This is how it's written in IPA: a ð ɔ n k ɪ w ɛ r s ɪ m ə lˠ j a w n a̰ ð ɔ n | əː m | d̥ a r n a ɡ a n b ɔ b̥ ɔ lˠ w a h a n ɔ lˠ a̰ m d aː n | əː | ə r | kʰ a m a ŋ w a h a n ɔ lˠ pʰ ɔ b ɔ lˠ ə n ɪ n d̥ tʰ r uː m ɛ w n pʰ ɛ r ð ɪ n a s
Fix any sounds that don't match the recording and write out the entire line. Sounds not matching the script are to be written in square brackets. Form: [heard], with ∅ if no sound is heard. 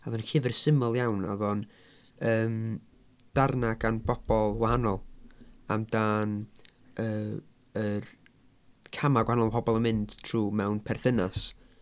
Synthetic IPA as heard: a ð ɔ n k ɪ [v] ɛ r s ɪ m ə lˠ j a w n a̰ ð ɔ n | əː m | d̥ a r n a ɡ a n b ɔ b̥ ɔ lˠ w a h a n ɔ lˠ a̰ m d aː n | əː | ə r | kʰ a m a [ɡ] w a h a n ɔ lˠ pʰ ɔ b ɔ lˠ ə [m] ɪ n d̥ tʰ r uː m ɛ w n pʰ ɛ r [θ] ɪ n a s